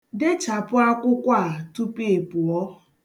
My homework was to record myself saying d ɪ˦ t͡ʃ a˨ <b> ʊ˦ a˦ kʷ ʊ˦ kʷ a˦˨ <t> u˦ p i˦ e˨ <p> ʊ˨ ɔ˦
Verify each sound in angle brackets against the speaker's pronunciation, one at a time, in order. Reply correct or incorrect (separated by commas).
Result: incorrect, correct, correct